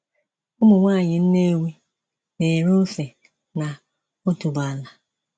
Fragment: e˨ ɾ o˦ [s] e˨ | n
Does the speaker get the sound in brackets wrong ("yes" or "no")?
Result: yes